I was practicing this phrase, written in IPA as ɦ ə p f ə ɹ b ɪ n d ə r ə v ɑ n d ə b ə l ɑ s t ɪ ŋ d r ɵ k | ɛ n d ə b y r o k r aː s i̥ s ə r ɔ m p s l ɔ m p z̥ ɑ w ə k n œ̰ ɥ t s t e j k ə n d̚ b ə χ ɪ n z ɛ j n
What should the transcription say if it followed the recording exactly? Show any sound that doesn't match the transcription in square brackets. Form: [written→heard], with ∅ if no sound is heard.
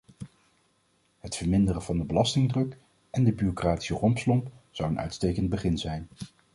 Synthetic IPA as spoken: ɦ ə [p→t] f ə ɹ [b→m] ɪ n d ə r ə v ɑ n d ə b ə l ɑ s t ɪ ŋ d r ɵ k | ɛ n d ə b y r o k r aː [s→t] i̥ s ə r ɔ m p s l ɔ m p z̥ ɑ w ə [k→∅] n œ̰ ɥ t s t e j k ə n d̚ b ə χ ɪ n z ɛ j n